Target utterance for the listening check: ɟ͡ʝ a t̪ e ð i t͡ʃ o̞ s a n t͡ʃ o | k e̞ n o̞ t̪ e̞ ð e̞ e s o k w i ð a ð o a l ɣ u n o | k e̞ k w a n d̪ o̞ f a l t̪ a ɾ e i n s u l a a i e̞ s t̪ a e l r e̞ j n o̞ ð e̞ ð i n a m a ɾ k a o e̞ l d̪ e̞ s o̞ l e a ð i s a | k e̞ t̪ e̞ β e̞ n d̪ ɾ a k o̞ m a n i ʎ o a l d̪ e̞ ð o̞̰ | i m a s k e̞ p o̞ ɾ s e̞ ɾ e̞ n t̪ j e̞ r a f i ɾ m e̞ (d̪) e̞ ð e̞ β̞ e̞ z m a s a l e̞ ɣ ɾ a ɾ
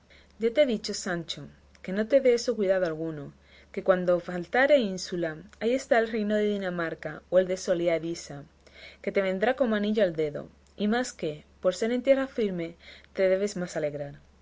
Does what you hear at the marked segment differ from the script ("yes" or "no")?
yes